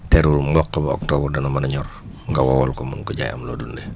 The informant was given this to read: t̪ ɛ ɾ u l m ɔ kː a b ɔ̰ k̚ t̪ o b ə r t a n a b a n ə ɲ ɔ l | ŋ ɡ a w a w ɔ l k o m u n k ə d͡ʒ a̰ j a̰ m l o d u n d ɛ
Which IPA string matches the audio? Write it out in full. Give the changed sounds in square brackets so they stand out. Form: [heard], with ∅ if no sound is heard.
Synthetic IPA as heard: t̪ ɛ ɾ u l m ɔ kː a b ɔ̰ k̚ t̪ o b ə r [d] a n a [m] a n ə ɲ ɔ [r] | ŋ ɡ a w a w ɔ l k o m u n k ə d͡ʒ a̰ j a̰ m l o d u n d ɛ